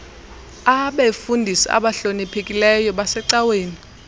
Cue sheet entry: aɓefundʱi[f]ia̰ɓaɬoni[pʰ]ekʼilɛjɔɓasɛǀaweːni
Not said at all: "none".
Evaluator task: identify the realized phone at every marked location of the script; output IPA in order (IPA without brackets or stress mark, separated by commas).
s, pʰ